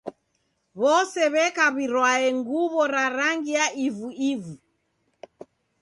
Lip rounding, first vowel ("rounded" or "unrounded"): rounded